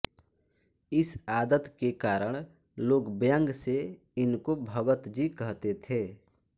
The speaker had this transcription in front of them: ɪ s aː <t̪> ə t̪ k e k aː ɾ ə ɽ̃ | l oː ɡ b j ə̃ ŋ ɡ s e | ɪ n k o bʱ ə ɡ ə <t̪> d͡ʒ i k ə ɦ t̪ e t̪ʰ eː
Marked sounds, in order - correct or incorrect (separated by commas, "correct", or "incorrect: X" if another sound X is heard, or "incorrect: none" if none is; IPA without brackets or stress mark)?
incorrect: d̪, correct